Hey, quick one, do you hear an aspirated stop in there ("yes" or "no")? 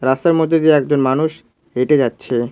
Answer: no